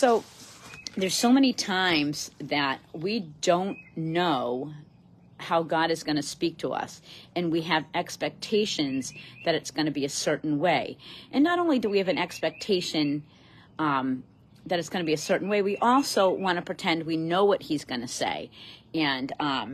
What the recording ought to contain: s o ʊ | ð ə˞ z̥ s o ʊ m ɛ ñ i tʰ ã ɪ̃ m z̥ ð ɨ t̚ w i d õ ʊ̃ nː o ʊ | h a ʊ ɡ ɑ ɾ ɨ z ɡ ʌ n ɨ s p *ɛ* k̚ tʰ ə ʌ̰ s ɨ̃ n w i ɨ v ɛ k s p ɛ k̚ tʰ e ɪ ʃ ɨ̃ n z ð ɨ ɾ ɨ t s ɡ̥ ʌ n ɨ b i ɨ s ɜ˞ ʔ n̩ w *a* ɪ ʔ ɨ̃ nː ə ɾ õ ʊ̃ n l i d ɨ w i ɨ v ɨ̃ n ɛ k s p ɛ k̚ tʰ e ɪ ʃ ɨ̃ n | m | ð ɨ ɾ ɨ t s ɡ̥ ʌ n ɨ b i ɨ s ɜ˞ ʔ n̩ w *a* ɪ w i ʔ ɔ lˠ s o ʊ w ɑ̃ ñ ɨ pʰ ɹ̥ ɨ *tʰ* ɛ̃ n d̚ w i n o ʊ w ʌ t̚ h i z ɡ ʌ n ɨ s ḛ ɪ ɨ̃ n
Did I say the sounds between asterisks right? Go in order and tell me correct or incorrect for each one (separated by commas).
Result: incorrect, incorrect, incorrect, correct